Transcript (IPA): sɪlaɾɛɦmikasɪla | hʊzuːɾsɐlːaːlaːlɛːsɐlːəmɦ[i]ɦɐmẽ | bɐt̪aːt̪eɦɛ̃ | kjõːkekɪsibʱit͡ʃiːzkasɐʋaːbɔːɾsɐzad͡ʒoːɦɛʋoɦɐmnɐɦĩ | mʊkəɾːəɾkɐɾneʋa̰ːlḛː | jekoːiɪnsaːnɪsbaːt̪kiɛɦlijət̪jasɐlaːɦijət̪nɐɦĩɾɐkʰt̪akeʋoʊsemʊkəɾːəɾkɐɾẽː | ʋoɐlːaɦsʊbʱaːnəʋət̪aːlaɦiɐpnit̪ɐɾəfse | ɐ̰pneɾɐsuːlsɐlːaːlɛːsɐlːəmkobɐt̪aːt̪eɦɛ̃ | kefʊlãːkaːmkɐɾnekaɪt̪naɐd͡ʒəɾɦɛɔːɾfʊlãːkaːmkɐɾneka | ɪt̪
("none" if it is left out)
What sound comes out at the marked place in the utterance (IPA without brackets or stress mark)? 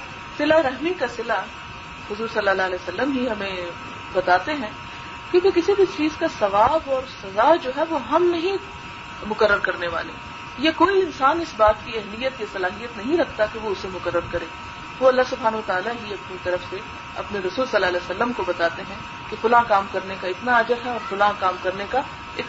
i